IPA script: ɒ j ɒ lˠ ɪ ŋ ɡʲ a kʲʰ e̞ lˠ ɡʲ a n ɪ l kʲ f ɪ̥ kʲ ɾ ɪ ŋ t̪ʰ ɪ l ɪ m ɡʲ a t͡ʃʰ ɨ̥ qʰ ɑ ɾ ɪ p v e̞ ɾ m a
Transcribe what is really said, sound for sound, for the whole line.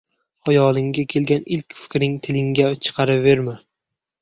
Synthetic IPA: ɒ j ɒ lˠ ɪ ŋ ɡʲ a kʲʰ e̞ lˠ ɡʲ a n ɪ l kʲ f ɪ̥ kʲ ɾ ɪ ŋ t̪ʰ ɪ l ɪ ŋ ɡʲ a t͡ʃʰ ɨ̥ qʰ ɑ ɾ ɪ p v e̞ ɾ m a